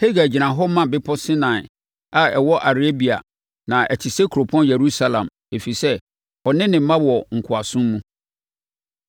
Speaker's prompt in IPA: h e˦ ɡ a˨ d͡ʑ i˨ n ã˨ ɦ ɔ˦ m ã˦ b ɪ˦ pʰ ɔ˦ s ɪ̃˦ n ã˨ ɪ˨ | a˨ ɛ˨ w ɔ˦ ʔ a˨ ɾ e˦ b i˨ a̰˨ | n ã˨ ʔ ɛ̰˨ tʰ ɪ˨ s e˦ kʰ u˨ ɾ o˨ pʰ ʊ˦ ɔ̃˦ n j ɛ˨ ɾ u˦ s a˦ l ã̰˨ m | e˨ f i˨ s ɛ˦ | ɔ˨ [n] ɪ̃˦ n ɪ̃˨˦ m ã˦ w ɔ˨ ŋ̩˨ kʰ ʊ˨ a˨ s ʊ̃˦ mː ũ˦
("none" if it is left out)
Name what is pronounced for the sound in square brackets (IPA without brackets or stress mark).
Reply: n